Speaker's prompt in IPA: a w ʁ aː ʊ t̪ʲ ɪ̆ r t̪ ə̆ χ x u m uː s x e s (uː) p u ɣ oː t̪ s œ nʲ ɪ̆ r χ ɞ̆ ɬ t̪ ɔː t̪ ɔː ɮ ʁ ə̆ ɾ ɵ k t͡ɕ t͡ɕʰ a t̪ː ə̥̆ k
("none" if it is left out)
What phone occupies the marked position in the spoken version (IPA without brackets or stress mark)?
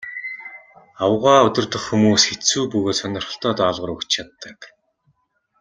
uː